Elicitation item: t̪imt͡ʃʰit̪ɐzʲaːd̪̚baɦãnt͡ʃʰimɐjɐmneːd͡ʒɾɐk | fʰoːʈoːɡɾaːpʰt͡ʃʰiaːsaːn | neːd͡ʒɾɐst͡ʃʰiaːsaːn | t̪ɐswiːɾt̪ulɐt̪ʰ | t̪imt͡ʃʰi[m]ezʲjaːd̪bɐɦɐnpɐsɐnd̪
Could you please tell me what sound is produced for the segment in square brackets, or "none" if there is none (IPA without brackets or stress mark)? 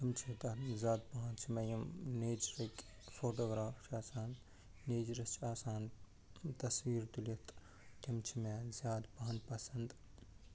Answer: m